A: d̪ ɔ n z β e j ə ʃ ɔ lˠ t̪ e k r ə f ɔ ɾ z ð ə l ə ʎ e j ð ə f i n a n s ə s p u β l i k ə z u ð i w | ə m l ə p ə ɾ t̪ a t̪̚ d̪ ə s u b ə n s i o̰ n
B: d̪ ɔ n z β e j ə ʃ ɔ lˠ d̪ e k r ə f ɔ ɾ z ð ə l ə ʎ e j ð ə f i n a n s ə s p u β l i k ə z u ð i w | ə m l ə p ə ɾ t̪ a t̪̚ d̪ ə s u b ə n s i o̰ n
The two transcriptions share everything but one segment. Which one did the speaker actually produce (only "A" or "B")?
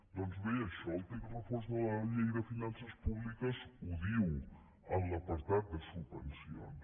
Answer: A